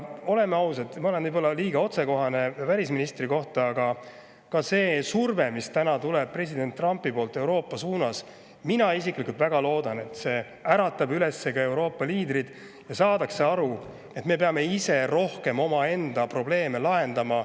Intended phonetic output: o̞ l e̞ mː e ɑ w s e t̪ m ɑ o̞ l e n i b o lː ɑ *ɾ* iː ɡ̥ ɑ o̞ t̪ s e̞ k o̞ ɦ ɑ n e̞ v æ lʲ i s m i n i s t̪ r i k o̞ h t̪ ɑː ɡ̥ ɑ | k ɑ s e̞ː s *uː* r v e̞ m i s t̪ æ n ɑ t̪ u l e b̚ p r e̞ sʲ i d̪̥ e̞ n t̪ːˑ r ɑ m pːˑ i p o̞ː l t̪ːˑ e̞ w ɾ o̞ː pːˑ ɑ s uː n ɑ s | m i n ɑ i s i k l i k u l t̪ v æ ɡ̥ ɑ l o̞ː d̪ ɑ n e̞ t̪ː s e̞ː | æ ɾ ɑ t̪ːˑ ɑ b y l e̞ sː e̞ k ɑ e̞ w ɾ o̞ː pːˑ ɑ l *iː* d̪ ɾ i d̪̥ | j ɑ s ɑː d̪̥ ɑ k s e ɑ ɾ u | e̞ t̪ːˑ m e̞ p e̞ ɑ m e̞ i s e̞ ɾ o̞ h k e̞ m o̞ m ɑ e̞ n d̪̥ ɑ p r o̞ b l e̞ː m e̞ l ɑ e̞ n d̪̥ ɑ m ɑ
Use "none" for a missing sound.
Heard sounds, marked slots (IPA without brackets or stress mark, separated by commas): l, u, iː